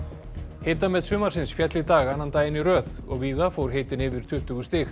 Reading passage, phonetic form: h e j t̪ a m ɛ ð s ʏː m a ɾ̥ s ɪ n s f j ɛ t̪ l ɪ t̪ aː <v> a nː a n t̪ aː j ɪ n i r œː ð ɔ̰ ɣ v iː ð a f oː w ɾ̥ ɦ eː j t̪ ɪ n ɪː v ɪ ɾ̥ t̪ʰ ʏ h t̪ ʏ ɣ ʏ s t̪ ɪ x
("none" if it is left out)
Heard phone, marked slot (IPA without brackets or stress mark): ɣ